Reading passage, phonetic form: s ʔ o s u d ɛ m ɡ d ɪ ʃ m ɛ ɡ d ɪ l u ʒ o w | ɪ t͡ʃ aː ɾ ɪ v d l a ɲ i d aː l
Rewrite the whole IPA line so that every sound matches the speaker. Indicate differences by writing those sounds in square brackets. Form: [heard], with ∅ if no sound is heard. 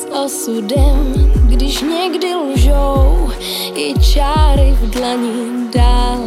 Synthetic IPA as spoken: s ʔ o s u d ɛ m ɡ d ɪ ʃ [ɲ] ɛ ɡ d ɪ l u ʒ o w | ɪ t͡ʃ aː ɾ ɪ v d l a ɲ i d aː l